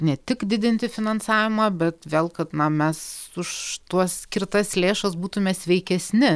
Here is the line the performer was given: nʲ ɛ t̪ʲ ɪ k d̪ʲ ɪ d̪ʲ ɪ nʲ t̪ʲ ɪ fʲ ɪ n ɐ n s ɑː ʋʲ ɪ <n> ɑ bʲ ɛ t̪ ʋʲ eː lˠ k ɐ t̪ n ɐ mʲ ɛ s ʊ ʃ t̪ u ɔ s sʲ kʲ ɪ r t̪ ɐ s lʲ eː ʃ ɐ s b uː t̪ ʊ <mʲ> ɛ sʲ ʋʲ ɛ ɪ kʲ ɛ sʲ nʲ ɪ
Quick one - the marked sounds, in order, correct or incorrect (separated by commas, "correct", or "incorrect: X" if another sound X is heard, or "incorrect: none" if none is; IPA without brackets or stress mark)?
incorrect: m, correct